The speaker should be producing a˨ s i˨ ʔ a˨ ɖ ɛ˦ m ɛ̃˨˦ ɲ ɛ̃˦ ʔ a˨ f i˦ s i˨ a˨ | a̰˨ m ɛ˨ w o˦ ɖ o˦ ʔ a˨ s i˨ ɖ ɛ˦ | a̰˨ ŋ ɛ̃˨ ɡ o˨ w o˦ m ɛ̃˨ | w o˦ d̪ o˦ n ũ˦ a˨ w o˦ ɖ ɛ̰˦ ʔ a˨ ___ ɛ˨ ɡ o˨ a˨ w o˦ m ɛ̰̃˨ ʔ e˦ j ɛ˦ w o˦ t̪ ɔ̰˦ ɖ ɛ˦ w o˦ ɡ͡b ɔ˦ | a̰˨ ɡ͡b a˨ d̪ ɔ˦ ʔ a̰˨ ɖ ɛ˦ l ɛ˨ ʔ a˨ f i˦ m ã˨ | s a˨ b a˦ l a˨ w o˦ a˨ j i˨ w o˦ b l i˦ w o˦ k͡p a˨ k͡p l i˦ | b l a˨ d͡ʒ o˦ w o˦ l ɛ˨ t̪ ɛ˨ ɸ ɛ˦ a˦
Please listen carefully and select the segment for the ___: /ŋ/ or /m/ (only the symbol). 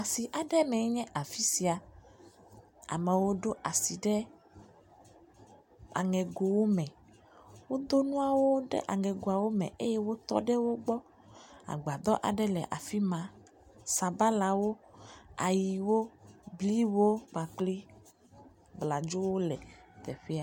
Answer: ŋ